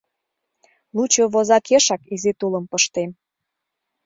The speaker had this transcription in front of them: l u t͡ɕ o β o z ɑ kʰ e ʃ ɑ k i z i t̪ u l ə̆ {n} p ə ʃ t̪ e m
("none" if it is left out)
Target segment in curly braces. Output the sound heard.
m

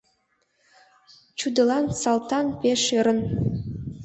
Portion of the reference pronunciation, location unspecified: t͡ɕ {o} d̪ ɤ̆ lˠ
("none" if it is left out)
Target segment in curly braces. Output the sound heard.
u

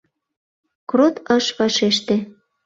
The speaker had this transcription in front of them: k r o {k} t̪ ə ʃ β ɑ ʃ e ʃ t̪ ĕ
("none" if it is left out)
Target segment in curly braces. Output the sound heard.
none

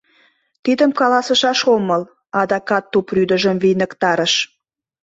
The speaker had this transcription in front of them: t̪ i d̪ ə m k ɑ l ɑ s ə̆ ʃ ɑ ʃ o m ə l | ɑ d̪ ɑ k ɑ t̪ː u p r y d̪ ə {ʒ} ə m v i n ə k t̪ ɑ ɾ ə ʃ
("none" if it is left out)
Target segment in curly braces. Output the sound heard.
ʒ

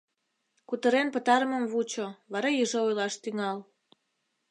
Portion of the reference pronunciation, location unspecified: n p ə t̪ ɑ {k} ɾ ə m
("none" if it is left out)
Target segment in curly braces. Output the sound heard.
none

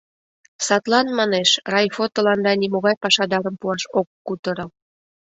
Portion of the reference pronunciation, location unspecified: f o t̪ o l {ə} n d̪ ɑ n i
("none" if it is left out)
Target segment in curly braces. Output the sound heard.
ɑ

